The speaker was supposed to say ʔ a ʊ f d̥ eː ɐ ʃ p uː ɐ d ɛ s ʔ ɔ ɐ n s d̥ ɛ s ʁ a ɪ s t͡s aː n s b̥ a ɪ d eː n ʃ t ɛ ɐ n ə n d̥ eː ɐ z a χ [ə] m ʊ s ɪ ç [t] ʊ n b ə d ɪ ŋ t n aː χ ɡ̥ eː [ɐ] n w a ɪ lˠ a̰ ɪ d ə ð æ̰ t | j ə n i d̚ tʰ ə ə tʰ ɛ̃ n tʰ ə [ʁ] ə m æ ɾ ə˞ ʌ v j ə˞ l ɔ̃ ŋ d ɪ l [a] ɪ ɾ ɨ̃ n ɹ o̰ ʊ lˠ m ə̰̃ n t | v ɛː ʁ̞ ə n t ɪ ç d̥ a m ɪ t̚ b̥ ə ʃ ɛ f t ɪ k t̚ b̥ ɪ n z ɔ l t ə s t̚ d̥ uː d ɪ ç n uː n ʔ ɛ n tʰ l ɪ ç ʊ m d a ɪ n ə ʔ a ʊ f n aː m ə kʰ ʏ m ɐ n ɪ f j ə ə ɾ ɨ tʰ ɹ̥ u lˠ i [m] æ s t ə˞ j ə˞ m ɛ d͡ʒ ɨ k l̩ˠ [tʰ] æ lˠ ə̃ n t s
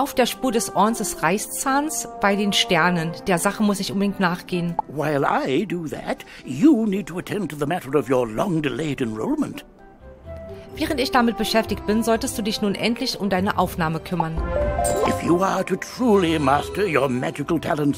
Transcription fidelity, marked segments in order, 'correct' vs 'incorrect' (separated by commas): correct, incorrect, incorrect, incorrect, incorrect, correct, correct